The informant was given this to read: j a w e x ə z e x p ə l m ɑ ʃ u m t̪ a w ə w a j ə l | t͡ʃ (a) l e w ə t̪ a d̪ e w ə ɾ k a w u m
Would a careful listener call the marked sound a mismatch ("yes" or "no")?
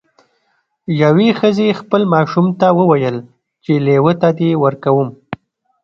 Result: yes